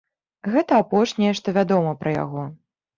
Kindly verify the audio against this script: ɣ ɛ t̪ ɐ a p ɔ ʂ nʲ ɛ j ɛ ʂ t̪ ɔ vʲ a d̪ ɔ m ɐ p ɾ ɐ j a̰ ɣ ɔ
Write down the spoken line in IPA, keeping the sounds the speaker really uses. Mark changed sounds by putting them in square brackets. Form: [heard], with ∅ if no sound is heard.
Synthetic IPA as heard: ɣ ɛ t̪ ɐ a p ɔ ʂ nʲ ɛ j ɛ ʂ t̪ ɔ vʲ a d̪ ɔ m ɐ p ɾ ɐ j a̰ ɣ ɔ